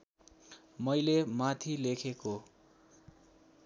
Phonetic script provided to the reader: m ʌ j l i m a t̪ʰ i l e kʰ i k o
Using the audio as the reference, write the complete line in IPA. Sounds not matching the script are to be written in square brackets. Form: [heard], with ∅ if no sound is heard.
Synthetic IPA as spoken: m ʌ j l [e] m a t̪ʰ i l e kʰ [e] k o